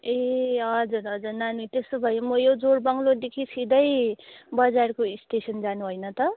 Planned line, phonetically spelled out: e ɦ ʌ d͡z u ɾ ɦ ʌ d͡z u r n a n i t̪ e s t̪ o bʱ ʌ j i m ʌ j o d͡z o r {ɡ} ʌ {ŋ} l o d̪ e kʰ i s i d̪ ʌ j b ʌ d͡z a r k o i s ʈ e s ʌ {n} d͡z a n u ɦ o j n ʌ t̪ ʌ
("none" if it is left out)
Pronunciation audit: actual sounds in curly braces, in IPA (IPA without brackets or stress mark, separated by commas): b, ŋ, n